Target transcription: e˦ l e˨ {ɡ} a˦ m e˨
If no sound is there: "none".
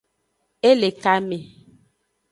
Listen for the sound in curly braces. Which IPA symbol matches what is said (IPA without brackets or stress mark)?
k